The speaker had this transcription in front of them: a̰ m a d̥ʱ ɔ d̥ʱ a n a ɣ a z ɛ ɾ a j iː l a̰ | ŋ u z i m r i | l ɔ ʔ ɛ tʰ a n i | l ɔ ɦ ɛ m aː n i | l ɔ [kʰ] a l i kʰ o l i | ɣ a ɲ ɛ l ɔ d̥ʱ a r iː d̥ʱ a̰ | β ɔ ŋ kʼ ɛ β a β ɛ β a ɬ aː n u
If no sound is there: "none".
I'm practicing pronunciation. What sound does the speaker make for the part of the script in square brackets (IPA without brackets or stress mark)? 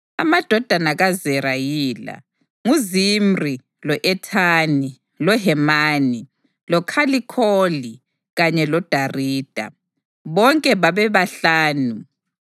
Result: kʰ